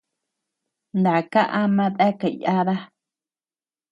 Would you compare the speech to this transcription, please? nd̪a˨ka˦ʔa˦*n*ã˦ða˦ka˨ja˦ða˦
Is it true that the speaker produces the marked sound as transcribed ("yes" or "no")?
no